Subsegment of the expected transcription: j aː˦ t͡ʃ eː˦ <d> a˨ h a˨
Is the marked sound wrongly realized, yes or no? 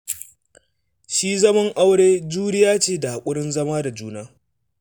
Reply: no